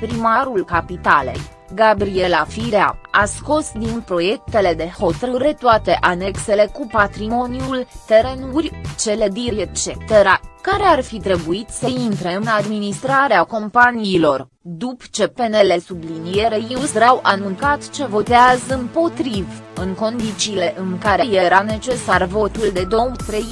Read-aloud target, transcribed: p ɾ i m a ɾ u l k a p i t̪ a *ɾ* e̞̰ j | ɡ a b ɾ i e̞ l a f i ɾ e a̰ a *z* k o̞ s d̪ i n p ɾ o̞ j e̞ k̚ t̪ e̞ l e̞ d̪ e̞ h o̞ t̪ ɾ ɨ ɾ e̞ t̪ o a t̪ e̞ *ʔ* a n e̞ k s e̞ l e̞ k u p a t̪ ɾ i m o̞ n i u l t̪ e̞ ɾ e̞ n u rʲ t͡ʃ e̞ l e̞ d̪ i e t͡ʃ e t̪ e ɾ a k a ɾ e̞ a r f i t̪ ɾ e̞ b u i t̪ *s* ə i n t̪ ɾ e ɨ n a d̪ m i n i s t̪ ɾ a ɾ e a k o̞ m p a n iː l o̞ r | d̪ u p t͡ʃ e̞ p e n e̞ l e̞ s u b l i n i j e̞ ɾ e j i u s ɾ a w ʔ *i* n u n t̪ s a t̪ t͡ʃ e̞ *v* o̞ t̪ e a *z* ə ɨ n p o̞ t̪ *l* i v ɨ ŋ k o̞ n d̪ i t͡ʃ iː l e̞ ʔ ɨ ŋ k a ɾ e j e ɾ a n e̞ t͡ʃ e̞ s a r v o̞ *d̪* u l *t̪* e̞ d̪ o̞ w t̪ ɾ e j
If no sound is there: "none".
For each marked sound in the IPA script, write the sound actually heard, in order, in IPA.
l, s, ʔ, s, a, v, z, ɾ, t̪, d̪

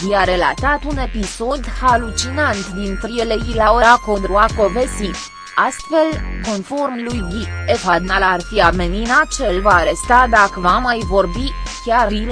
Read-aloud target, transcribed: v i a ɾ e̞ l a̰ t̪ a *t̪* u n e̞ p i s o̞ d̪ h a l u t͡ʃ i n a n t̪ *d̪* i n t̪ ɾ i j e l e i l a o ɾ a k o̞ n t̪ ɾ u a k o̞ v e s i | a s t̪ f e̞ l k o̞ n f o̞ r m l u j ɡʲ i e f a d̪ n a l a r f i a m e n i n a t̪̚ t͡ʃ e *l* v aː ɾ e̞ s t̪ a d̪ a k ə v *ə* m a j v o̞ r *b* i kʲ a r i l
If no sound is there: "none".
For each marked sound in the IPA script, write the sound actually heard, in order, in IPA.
t̪, d̪, l, a, b

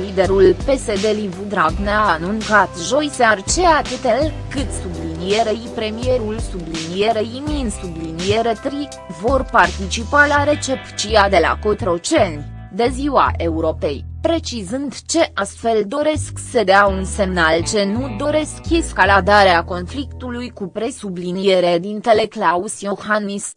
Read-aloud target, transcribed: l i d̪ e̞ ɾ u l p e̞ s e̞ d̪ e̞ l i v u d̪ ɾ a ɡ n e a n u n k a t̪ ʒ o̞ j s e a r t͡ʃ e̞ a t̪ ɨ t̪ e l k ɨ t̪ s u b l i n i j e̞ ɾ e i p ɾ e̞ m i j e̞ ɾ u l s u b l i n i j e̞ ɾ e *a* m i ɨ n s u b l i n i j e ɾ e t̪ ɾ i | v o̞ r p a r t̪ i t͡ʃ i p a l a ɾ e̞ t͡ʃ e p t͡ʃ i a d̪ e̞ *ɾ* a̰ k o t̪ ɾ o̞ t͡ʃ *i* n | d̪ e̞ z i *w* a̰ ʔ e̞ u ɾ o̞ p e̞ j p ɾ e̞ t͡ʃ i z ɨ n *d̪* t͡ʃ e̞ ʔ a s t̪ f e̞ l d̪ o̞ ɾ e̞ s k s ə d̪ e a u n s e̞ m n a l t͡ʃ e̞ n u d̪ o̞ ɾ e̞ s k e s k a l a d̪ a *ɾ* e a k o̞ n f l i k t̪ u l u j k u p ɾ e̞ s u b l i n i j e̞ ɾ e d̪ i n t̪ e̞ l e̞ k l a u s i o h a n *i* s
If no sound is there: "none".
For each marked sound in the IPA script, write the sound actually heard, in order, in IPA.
i, l, e, w, d̪, ɾ, i

